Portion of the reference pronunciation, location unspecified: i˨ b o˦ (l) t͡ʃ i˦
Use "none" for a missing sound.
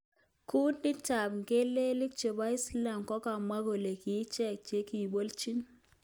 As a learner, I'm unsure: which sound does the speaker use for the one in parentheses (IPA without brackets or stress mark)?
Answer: l